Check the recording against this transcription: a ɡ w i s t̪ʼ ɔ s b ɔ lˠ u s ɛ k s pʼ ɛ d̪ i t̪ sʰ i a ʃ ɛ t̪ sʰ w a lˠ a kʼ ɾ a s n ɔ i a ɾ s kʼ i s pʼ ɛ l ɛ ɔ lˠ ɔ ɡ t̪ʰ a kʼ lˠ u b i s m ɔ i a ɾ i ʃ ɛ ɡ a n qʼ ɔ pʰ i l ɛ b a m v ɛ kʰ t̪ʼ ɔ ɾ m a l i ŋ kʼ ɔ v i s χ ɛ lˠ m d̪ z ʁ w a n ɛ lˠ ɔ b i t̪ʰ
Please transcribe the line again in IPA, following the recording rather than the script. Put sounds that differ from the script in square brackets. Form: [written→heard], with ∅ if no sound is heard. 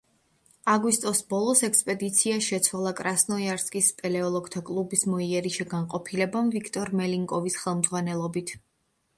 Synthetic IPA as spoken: a ɡ w i s t̪ʼ ɔ s b ɔ lˠ [u→ɔ] s ɛ k s pʼ ɛ d̪ i t̪ sʰ i a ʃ ɛ t̪ sʰ w a lˠ a kʼ ɾ a s n ɔ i a ɾ s kʼ i s pʼ ɛ l ɛ ɔ lˠ ɔ ɡ t̪ʰ a kʼ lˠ u b i s m ɔ i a ɾ i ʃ ɛ ɡ a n qʼ ɔ pʰ i l ɛ b a m v [ɛ→i] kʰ t̪ʼ ɔ ɾ m [a→ɛ] l i ŋ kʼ ɔ v i s χ ɛ lˠ m d̪ z ʁ w a n ɛ lˠ ɔ b i t̪ʰ